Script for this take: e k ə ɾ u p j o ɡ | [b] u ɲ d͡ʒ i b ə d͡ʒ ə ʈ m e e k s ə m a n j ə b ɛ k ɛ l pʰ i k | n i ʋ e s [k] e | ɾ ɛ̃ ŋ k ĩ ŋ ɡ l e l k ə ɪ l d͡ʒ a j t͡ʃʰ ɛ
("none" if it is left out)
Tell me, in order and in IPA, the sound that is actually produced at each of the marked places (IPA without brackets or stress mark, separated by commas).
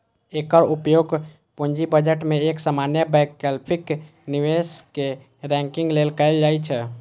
p, k